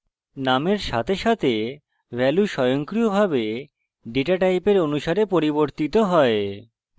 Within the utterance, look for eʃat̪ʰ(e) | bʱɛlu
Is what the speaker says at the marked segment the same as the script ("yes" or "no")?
yes